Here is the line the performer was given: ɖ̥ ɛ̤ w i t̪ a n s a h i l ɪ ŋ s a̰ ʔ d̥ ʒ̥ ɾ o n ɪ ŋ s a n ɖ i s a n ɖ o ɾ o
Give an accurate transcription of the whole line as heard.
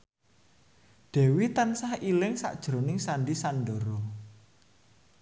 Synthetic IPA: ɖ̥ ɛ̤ w i t̪ a n s a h i l ɪ ŋ s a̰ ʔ d̥ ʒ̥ ɾ o n ɪ ŋ s a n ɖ i s a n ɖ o ɾ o